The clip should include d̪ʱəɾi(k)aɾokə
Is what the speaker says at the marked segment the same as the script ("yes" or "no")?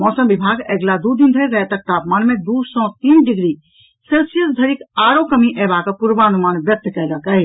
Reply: yes